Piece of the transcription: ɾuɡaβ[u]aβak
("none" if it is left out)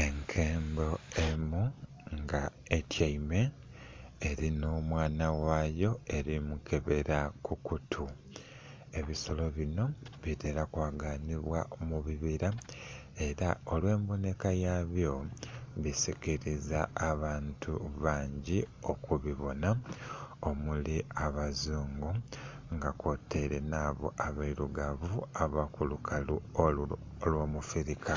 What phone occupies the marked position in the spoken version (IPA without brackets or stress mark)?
u